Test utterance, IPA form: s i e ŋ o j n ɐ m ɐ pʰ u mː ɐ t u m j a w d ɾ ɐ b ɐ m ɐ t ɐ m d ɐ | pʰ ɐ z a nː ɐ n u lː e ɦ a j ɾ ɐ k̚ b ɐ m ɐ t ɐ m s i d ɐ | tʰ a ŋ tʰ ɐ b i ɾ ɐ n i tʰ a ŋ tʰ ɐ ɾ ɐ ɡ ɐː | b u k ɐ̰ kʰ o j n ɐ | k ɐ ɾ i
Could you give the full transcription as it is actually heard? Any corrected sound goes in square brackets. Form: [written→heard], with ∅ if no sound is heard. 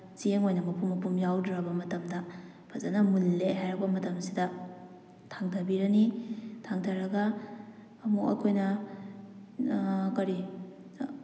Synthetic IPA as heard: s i e ŋ o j n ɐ m ɐ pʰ u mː ɐ [t→p] u m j a w d ɾ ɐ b ɐ m ɐ t ɐ m d ɐ | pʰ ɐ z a [nː→n] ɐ [n→m] u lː e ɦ a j ɾ ɐ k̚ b ɐ m ɐ t ɐ m s i d ɐ | tʰ a ŋ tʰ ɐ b i ɾ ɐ n i tʰ a ŋ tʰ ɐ ɾ ɐ ɡ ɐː | [b→m] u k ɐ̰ kʰ o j n ɐ | k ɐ ɾ i

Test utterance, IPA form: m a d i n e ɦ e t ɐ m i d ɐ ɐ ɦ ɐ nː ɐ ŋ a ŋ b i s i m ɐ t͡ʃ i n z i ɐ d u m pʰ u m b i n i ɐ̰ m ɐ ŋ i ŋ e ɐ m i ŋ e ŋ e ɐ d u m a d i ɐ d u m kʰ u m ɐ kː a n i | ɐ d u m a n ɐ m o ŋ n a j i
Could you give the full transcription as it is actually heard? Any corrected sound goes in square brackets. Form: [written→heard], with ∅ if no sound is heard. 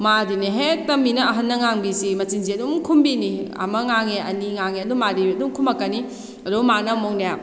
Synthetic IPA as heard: m a d i n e ɦ e t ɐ m i [d→n] ɐ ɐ ɦ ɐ nː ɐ ŋ a ŋ b i s i m ɐ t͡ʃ i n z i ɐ d u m [pʰ→kʰ] u m b i n i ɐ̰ m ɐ ŋ [i→a] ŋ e ɐ [m→n] i ŋ [e→a] ŋ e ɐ d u m a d i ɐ d u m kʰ u m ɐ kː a n i | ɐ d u m a n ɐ m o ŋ n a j [i→a]

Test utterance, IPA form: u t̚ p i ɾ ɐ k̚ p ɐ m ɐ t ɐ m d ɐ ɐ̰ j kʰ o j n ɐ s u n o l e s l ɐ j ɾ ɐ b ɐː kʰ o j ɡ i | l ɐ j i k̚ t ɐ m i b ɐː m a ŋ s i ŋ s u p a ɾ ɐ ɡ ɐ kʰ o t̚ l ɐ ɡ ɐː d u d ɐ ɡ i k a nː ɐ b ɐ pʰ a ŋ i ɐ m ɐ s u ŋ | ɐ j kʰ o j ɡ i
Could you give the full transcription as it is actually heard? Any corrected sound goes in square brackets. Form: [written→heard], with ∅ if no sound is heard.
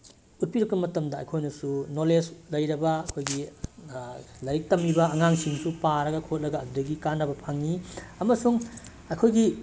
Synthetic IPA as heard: u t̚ p i ɾ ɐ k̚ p ɐ m ɐ t ɐ m d ɐ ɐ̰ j kʰ o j n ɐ s u n o l e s l ɐ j ɾ ɐ b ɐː kʰ o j ɡ i | l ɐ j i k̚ t ɐ m i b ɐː [m→ŋ] a ŋ s i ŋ s u p a ɾ ɐ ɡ ɐ kʰ o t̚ l ɐ ɡ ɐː d u d ɐ ɡ i k a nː ɐ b ɐ pʰ a ŋ i ɐ m ɐ s u ŋ | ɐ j kʰ o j ɡ i

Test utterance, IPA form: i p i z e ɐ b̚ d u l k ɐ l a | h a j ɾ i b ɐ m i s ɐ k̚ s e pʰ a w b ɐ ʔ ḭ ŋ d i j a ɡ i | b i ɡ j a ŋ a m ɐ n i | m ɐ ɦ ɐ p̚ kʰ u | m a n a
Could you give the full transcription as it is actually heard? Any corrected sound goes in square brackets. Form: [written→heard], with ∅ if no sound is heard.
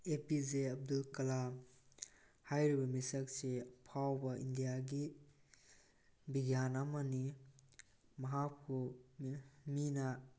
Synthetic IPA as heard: [i→e] p i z e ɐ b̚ d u l k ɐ l a | h a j ɾ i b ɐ m i s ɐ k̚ s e pʰ a w b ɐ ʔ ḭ [ŋ→n] d i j a ɡ i | b i ɡ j a [ŋ→n] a m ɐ n i | m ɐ ɦ [ɐ→a] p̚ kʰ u | m [a→i] n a

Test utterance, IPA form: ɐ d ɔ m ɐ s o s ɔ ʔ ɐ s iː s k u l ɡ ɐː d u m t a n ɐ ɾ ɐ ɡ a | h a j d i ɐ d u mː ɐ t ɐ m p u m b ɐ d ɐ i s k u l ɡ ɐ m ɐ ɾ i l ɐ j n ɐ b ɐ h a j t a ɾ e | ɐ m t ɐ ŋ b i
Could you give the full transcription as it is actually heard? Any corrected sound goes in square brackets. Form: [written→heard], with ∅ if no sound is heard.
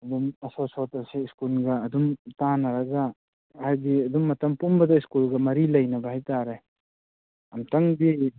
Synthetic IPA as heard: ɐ d [ɔ→u] m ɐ s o s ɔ [ʔ→t] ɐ s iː s k u l ɡ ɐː d u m t a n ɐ ɾ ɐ ɡ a | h a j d i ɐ d u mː ɐ t ɐ m p u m b ɐ d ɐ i s k u l ɡ ɐ m ɐ ɾ i l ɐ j n ɐ b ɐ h a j t a ɾ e | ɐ m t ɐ ŋ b i

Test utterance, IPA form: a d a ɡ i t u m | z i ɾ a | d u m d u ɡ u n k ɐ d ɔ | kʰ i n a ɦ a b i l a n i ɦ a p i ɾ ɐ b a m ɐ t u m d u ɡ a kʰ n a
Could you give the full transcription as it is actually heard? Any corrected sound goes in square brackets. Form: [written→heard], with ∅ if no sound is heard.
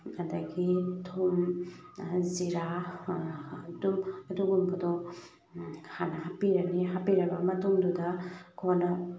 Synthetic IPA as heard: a d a ɡ i [t→tʰ] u m | z i ɾ a | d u m d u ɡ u [n→m] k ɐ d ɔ | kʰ [i→a] n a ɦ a [b→p] i [l→ɾ] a n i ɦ a p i ɾ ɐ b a m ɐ t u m d u [ɡ→d] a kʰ n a

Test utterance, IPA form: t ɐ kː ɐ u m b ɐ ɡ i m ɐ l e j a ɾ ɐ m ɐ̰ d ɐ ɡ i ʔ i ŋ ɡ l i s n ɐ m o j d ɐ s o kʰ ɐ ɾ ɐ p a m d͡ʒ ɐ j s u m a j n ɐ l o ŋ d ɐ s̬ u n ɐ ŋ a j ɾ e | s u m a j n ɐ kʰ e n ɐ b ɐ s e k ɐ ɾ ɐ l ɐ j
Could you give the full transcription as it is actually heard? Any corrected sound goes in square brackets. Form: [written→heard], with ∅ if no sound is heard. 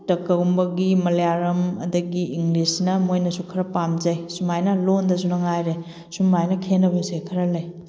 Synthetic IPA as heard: t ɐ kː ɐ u m b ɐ ɡ i m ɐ l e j a ɾ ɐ m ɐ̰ d ɐ ɡ i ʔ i ŋ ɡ l i s n ɐ m o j [d→n] ɐ s [o→u] kʰ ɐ ɾ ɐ p a m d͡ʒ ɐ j s u m a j n ɐ l o [ŋ→n] d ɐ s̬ u n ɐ ŋ a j ɾ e | s u m a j n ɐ kʰ e n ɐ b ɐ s e [k→kʰ] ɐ ɾ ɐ l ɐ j

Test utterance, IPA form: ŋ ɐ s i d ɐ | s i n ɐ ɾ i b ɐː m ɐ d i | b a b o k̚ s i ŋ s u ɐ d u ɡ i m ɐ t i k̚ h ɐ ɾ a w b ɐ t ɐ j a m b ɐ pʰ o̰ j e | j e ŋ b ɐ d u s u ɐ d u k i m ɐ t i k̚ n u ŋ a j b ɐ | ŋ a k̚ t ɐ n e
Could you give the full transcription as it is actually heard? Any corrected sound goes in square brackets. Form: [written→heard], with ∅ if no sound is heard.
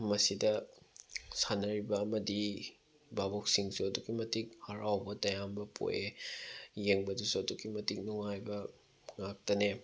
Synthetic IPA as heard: [ŋ→m] ɐ s i d ɐ | s [i→a] n ɐ ɾ i b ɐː m ɐ d i | b a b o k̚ s i ŋ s u ɐ d u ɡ i m ɐ t i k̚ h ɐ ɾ a w b ɐ t ɐ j a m b ɐ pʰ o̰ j e | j e ŋ b ɐ d u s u ɐ d u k i m ɐ t i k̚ n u ŋ a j b ɐ | ŋ a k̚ t ɐ n e

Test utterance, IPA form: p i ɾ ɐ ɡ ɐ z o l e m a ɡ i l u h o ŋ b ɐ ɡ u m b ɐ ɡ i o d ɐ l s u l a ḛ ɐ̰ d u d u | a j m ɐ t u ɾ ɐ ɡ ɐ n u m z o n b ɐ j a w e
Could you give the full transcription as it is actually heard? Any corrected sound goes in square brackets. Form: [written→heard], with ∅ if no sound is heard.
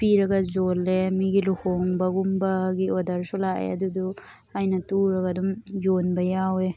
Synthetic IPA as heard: p i ɾ ɐ ɡ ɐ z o l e m [a→i] ɡ i l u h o ŋ b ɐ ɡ u m b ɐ ɡ i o d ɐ [l→ɾ] s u l a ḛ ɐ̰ d u d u | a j [m→n] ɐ t u ɾ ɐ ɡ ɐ [n→d] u m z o n b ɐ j a w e

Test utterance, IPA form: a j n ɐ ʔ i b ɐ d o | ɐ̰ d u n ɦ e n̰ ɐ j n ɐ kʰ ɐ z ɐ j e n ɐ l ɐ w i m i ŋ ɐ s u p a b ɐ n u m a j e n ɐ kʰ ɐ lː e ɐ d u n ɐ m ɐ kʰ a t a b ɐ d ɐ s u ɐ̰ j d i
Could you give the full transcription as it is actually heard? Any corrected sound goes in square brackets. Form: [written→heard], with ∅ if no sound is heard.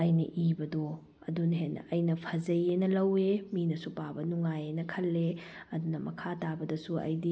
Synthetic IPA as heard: [a→ɐ] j n ɐ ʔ i b ɐ d o | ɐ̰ d u n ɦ e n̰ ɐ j n ɐ [kʰ→pʰ] ɐ z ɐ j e n ɐ l ɐ w [i→e] m i [ŋ→n] ɐ s u p a b ɐ n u [m→ŋ] a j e n ɐ kʰ ɐ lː e ɐ d u n ɐ m ɐ kʰ a t a b ɐ d ɐ s u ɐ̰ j d i

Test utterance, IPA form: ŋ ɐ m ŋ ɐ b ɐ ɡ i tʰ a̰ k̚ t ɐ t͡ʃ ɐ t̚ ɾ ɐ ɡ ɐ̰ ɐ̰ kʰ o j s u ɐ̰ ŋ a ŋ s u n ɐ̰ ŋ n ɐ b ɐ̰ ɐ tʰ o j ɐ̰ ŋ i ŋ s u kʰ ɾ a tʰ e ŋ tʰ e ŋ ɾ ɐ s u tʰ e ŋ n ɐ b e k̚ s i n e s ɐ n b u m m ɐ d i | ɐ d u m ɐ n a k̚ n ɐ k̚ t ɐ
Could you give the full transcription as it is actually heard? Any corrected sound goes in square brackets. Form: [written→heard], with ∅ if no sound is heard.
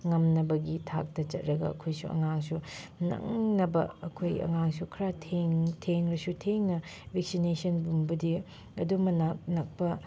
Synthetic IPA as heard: ŋ ɐ m [ŋ→n] ɐ b ɐ ɡ i tʰ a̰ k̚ t ɐ t͡ʃ ɐ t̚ ɾ ɐ ɡ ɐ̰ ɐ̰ kʰ o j s u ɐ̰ ŋ a ŋ s u n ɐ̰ ŋ n ɐ b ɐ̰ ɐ [tʰ→kʰ] o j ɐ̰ ŋ [i→a] ŋ s u kʰ ɾ a tʰ e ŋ tʰ e ŋ ɾ ɐ s u tʰ e ŋ n ɐ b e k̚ s i n e s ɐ n b u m [m→b] ɐ d i | ɐ d u m ɐ n a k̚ n ɐ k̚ [t→p] ɐ

